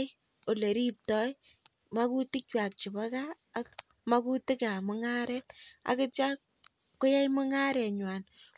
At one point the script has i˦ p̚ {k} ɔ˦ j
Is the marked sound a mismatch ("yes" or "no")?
yes